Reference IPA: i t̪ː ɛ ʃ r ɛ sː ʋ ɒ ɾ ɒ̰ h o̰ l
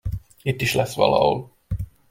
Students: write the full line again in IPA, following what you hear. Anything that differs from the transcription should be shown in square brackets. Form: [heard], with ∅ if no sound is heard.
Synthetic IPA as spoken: i t̪ː [i] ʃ [l] ɛ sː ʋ ɒ [l] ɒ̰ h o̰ l